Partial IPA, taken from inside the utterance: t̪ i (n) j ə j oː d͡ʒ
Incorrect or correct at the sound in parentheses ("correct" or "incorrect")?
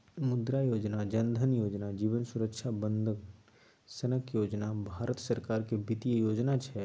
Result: incorrect